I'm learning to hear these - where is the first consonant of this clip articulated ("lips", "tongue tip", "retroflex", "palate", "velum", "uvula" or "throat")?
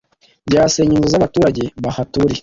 palate